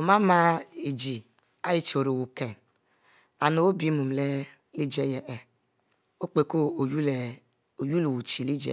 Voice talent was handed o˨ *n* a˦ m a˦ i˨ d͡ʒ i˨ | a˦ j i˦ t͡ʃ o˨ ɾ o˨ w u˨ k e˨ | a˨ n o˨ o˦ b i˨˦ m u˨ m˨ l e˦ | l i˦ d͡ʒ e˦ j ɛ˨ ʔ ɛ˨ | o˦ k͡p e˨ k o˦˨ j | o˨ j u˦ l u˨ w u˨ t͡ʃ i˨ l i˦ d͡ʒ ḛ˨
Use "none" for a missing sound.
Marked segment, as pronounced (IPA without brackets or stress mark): m